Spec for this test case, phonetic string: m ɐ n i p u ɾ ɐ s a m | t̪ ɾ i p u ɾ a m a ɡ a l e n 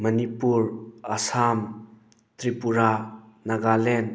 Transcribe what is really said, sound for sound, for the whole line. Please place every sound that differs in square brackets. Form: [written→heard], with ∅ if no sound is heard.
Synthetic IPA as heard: m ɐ n i p u ɾ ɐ s a m | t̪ ɾ i p u ɾ a [m→n] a ɡ a l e n